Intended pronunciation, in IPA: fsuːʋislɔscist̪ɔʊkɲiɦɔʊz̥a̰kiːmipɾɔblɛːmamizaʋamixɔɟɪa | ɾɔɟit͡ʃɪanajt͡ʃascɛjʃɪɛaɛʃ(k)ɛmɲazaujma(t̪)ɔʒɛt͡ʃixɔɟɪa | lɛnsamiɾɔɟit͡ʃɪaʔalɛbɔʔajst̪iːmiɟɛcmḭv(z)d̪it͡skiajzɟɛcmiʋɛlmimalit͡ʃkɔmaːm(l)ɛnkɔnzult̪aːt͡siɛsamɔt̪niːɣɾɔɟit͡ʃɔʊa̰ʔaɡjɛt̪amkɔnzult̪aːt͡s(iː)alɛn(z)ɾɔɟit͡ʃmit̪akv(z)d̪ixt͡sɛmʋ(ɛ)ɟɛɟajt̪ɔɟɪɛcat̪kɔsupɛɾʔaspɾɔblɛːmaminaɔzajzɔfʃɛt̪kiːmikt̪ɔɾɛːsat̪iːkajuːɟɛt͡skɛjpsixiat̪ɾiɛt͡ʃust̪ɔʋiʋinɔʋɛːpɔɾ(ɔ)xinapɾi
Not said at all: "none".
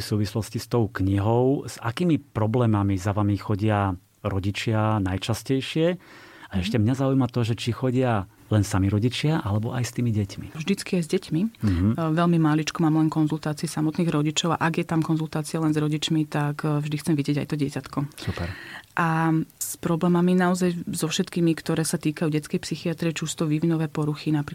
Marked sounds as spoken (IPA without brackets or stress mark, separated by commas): c, t̪, ʒ, l, i, z, ʒ, i, u